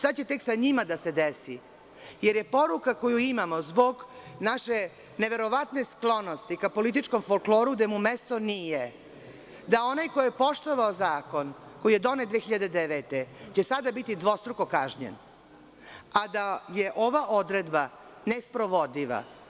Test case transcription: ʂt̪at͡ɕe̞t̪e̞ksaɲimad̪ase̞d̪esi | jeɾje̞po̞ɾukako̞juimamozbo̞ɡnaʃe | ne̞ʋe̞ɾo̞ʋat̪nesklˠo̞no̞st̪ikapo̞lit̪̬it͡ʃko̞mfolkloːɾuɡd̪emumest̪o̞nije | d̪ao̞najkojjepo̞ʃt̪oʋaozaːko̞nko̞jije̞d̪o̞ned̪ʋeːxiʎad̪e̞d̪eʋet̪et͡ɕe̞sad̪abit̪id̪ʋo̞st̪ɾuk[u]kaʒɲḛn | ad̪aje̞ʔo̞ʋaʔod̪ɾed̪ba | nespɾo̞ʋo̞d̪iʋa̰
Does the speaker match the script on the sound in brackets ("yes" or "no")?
no